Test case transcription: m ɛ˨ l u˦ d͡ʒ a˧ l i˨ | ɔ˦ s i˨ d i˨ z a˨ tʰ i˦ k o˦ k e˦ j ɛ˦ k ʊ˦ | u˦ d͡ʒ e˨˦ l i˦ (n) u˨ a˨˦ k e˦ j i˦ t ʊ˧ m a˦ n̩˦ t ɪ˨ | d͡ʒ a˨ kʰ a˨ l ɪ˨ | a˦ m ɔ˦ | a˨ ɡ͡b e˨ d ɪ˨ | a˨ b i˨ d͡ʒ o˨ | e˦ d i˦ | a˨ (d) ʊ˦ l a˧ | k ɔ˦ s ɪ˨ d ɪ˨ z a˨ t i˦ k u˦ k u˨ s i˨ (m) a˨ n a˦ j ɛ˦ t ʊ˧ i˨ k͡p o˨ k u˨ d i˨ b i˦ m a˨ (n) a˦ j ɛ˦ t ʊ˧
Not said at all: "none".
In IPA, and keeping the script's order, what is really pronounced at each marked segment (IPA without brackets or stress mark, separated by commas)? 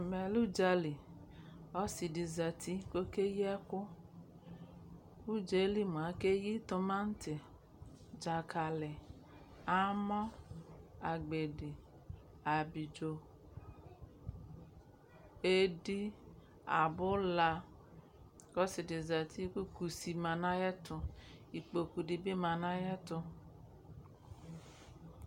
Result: m, b, m, n